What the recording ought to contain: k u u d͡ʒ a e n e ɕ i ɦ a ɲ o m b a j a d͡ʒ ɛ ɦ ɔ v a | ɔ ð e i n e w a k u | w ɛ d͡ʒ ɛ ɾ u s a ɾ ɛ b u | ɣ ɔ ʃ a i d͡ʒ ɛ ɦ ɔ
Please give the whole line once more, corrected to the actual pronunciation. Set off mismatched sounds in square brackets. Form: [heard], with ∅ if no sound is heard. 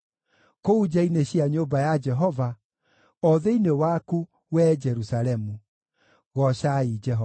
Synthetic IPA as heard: k [o] u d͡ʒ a [i] n e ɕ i [∅] a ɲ o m b a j a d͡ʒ ɛ ɦ ɔ v a | ɔ ð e i n e w a k u | w ɛ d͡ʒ ɛ ɾ u s a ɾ ɛ [m] u | ɣ ɔ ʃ a i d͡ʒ ɛ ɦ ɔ